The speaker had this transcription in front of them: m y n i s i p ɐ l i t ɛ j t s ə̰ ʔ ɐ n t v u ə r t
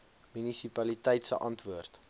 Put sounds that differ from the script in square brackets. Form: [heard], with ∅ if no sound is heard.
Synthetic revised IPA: m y n i s i p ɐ l i t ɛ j t s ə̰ ʔ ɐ n t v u ə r t